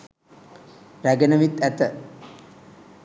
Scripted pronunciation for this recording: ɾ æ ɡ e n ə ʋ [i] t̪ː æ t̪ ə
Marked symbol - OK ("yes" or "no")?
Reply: yes